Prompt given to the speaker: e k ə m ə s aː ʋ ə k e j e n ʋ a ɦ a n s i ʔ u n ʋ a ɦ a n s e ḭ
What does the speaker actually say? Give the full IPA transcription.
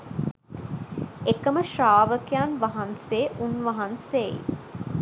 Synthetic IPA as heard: e k ə m ə ʃ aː ʋ ə k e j a n ʋ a ɦ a n s e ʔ u n ʋ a ɦ a n s e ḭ